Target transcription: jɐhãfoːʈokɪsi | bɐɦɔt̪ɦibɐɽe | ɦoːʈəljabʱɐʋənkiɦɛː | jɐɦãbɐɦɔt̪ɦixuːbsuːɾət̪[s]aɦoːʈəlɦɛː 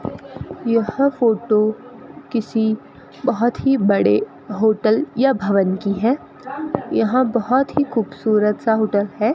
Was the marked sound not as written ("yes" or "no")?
no